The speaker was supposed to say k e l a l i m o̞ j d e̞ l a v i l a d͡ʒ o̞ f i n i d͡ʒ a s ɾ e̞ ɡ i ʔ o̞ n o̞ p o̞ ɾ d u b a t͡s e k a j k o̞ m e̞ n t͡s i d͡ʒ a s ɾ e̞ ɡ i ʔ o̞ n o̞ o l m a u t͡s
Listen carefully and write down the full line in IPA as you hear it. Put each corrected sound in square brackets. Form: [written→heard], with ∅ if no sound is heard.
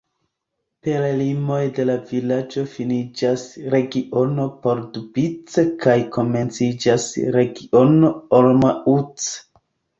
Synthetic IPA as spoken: [k→p] e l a l i m o̞ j d e̞ l a v i l a d͡ʒ o̞ f i n i d͡ʒ a s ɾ e̞ ɡ i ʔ o̞ n o̞ p o̞ ɾ d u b [a→i] t͡s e k a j k o̞ m e̞ n t͡s i d͡ʒ a s ɾ e̞ ɡ i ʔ o̞ n o̞ o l m a u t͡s